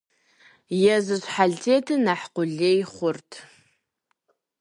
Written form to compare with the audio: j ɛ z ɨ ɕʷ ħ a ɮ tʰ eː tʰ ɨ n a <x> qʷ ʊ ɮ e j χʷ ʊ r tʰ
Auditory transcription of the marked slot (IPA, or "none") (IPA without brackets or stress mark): ħ